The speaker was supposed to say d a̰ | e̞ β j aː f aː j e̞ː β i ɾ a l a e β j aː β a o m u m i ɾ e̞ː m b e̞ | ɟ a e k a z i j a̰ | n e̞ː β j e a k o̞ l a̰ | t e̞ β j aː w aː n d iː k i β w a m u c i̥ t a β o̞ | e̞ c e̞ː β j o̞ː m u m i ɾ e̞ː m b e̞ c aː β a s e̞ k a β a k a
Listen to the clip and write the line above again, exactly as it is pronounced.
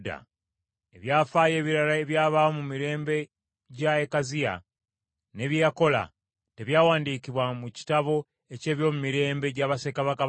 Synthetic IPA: d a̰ | e̞ β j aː f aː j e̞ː β i ɾ a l a e β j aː β a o m u m i ɾ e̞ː m b e̞ | ɟ a e k a z i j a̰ | n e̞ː β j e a k o̞ l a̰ | t e̞ β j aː w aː n d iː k i β w a m u c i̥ t a β o̞ | e̞ c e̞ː β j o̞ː m u m i ɾ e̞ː m b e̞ ɟ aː β a s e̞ k a β a k a